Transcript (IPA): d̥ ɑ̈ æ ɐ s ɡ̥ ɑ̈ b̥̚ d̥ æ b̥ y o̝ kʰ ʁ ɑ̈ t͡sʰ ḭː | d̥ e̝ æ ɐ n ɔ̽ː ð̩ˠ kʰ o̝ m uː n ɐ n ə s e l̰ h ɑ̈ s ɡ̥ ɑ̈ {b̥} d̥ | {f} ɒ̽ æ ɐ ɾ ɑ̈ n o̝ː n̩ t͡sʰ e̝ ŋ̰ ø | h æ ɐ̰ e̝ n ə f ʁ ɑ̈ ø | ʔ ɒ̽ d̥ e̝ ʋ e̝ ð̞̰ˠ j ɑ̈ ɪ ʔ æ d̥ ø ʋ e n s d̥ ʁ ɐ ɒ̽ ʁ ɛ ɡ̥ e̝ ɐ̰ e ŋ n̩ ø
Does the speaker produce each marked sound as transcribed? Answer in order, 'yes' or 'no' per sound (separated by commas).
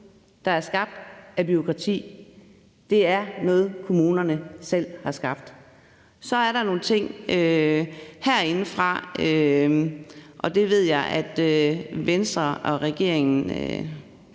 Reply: yes, no